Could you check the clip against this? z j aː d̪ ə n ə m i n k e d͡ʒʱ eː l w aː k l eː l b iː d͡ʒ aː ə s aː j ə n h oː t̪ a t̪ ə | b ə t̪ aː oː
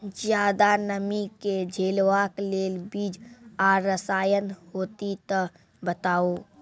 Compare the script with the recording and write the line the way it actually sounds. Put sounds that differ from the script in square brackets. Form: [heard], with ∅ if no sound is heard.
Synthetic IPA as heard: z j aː d̪ [a] n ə m i [∅] k e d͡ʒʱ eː l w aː k l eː l b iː d͡ʒ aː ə s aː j ə n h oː t̪ [i] t̪ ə | b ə t̪ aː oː